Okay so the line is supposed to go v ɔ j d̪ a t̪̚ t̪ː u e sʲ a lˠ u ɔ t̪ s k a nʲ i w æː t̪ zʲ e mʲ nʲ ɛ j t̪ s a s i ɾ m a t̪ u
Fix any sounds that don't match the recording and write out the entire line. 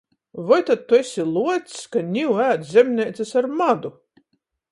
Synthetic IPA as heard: v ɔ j t̪ a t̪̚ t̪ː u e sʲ i lˠ u ɔ t̪ s k a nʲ i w æː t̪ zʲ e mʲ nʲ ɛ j t̪ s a s a ɾ m a d̪ u